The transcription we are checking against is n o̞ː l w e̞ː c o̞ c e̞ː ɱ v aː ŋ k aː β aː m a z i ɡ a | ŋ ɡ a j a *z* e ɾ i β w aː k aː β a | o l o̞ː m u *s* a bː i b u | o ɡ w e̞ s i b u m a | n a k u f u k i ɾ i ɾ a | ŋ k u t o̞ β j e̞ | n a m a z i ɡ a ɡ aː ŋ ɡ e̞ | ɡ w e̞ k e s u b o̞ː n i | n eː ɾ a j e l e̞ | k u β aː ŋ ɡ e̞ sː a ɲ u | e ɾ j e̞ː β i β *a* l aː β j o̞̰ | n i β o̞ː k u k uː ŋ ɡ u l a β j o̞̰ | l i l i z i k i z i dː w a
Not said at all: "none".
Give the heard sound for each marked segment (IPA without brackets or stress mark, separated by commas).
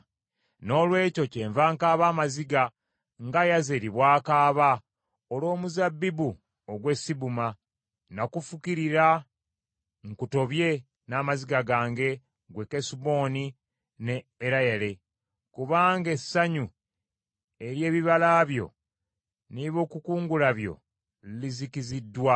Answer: z, z, a